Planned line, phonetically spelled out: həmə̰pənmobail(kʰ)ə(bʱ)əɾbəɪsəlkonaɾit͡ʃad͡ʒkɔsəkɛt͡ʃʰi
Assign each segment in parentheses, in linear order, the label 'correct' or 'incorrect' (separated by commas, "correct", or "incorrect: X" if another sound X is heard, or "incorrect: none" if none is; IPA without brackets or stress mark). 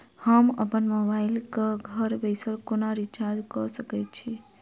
incorrect: k, incorrect: ɡʱ